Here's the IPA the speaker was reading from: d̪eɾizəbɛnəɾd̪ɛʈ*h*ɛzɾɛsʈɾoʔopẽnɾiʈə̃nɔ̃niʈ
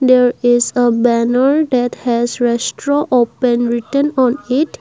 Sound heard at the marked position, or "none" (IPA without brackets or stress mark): h